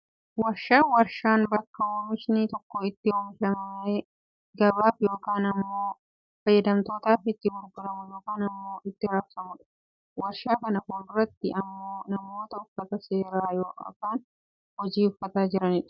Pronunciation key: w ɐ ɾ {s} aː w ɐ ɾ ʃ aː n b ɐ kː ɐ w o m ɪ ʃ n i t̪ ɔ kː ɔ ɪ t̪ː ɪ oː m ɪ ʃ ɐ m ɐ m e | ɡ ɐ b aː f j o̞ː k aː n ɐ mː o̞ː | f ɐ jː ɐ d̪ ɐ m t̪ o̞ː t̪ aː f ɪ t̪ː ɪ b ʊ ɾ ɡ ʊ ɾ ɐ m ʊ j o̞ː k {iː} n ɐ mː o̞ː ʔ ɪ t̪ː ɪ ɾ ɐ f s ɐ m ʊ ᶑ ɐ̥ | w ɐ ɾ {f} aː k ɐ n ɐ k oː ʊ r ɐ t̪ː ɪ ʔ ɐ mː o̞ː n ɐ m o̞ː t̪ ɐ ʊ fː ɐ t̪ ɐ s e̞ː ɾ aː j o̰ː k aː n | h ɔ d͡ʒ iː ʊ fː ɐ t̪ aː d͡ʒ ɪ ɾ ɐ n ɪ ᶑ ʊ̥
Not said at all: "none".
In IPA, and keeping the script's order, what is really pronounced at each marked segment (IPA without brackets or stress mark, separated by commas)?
ʃ, aː, ʃ